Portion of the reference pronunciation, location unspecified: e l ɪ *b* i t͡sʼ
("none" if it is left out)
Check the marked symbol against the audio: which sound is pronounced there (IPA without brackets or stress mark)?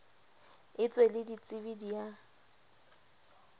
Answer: d